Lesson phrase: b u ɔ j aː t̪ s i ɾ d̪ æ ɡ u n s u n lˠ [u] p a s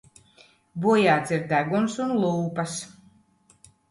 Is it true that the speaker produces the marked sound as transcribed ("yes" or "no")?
no